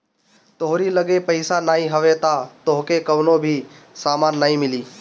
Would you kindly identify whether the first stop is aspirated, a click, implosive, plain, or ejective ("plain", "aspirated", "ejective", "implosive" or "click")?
plain